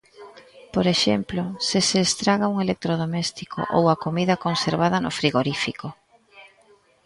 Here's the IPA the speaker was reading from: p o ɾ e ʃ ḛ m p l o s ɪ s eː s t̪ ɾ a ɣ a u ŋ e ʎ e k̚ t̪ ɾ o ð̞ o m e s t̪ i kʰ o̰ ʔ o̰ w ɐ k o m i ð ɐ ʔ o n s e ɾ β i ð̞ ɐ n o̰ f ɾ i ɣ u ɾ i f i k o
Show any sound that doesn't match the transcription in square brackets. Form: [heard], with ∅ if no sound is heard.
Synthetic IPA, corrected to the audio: p o ɾ e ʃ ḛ m p l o s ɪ s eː s t̪ ɾ a ɣ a u ŋ e [l] e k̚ t̪ ɾ o ð̞ o m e s t̪ i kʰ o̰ ʔ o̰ w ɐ k o m i ð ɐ [k] o n s e ɾ β [a] ð̞ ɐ n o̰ f ɾ i ɣ [o] ɾ i f i k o